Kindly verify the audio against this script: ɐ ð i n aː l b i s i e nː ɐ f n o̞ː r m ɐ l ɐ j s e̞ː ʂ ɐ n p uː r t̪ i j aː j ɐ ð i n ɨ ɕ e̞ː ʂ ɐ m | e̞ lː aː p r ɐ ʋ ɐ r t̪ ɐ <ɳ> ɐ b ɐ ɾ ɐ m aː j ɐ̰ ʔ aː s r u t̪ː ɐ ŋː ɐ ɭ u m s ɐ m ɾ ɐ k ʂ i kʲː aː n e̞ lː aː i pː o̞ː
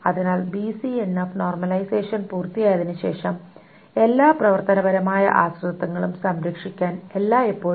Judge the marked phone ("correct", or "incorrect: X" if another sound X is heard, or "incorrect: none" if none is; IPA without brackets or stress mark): incorrect: n